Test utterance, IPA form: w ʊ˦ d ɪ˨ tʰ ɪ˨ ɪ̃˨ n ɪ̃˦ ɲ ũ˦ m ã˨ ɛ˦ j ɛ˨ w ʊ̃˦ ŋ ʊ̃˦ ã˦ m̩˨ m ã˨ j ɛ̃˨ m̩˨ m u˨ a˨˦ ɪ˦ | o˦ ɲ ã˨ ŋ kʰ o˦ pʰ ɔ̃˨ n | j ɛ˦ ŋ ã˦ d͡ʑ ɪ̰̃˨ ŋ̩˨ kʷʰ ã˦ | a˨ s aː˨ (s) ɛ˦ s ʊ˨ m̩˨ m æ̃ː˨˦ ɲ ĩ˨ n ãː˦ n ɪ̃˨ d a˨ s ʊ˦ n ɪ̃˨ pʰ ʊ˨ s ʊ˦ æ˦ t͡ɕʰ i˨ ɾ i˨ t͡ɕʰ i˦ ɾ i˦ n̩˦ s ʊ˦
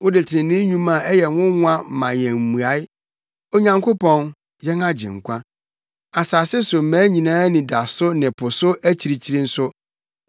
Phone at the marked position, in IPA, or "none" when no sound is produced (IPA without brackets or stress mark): s